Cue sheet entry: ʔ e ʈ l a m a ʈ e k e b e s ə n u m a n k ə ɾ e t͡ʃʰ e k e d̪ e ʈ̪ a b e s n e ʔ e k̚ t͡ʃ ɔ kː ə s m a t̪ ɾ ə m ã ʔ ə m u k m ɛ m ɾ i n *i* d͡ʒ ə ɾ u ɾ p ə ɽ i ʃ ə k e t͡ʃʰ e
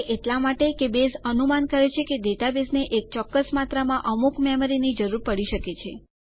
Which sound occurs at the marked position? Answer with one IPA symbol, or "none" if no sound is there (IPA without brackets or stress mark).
i